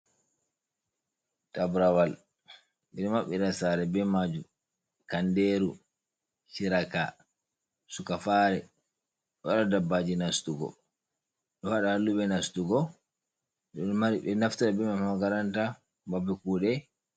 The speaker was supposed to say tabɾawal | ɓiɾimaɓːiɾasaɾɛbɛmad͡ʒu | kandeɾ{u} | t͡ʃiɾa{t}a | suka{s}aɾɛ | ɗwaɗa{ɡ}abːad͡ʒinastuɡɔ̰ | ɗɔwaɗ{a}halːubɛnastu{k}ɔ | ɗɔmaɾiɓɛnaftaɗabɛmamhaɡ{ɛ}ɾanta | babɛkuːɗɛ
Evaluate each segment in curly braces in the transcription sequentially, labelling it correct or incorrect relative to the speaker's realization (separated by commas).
correct, incorrect, incorrect, incorrect, correct, incorrect, incorrect